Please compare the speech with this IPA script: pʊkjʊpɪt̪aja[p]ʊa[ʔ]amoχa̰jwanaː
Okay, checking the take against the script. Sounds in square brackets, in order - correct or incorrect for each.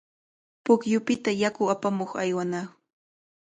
incorrect, incorrect

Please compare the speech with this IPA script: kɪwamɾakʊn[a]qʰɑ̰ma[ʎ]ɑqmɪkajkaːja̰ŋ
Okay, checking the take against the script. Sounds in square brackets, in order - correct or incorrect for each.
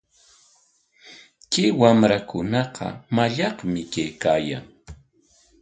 incorrect, correct

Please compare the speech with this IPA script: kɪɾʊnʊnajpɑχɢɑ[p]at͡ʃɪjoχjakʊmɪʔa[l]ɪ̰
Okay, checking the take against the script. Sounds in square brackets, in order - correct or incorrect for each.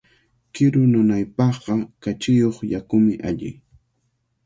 incorrect, incorrect

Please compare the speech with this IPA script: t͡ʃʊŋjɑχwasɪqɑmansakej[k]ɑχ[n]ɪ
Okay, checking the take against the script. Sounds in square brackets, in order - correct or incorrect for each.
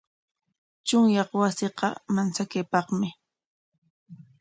incorrect, incorrect

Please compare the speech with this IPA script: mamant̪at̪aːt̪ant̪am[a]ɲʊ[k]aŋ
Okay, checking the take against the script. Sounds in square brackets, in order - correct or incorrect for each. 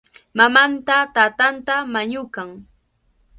correct, correct

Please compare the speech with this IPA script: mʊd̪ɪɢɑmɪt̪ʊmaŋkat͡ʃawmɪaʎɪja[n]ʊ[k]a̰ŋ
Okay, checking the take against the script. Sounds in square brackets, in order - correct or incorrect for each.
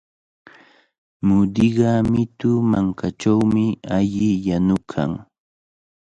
correct, incorrect

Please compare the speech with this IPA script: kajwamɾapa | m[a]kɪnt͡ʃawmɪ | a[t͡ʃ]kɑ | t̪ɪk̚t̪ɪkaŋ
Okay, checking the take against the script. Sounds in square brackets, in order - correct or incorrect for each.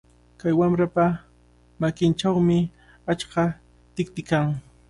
correct, correct

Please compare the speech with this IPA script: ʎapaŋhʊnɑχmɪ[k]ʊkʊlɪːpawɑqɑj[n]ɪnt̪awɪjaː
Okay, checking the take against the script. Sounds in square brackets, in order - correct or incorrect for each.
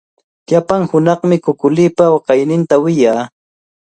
correct, correct

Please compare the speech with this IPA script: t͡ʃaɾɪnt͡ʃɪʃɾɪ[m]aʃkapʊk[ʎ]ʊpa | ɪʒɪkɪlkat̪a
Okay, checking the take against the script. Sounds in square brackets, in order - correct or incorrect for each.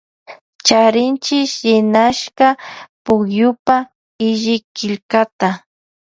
incorrect, incorrect

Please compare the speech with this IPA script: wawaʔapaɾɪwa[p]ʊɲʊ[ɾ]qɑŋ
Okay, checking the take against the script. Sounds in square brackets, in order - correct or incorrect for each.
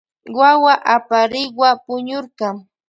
correct, correct

